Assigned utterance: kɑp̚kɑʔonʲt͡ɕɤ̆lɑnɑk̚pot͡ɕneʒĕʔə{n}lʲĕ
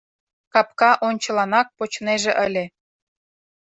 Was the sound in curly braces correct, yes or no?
no